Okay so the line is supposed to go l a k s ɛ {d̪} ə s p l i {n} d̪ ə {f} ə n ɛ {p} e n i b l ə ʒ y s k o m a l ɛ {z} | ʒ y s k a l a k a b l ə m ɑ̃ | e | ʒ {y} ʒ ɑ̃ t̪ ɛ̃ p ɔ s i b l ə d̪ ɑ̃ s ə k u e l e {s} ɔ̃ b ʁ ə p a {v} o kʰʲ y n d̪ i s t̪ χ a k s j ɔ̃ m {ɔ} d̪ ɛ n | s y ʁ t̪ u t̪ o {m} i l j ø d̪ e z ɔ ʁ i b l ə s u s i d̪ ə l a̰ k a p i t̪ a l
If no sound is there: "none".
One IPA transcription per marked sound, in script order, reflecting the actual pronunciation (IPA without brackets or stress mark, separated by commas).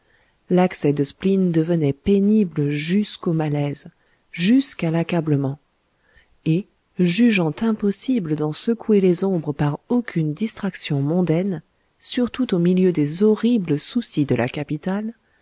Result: d̪, n, v, p, z, y, z, ʁ, ɔ̃, m